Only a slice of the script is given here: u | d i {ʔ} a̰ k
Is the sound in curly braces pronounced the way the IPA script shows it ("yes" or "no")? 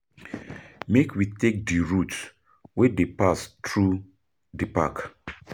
no